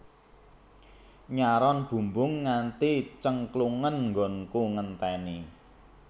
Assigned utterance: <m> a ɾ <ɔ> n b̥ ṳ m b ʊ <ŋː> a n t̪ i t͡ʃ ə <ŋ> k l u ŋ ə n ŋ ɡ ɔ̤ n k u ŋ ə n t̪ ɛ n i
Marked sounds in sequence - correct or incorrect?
incorrect, correct, correct, correct

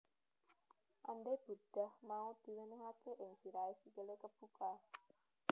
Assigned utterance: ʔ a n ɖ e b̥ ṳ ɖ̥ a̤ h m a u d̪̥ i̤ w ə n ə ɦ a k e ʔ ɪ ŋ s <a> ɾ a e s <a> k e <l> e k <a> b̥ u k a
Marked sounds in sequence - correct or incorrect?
incorrect, incorrect, correct, incorrect

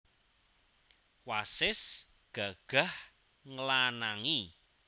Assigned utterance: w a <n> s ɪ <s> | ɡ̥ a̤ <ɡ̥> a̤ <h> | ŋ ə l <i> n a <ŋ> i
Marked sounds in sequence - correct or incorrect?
incorrect, correct, correct, correct, incorrect, correct

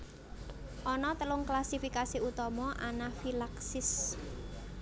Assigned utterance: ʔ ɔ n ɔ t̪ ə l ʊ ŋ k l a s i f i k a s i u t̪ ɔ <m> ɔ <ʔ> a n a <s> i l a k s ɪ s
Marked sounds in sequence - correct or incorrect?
correct, correct, incorrect

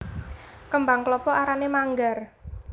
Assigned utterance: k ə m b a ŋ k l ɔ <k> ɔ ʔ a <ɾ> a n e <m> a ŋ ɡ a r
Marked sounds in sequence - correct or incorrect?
incorrect, correct, correct

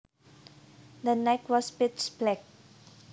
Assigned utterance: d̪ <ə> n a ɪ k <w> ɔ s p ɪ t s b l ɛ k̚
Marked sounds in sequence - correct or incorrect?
correct, correct

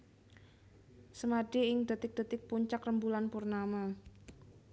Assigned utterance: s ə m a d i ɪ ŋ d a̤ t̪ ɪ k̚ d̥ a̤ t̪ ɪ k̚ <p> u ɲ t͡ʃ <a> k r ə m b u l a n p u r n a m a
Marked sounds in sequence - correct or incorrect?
correct, correct

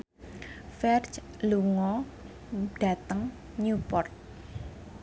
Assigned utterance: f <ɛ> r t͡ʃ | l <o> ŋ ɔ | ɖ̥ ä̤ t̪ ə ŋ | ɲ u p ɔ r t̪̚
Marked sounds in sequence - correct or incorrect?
correct, incorrect

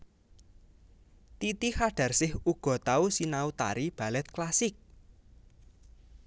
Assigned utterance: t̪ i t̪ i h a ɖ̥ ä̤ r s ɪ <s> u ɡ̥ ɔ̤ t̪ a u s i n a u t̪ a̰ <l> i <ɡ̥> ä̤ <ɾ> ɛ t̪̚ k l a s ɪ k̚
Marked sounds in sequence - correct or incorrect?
incorrect, incorrect, incorrect, incorrect

